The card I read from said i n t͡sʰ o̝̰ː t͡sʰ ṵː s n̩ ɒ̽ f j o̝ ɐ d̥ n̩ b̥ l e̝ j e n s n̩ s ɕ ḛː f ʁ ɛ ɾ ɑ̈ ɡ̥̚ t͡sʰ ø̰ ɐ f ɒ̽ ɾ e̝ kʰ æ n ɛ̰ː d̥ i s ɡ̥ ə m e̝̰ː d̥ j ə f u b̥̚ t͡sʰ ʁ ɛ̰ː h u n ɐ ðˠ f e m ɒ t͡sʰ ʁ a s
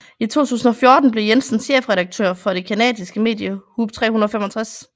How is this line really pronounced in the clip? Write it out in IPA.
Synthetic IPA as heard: i t͡sʰ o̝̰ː t͡sʰ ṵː s n̩ ɒ̽ f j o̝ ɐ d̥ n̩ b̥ l e̝ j e n s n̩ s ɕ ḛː f ʁ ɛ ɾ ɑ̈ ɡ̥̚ t͡sʰ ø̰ ɐ f ɒ̽ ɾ e̝ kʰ æ n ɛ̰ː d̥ i s ɡ̥ ə m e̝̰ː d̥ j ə h u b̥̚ t͡sʰ ʁ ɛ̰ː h u n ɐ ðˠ f e m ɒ t͡sʰ ʁ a s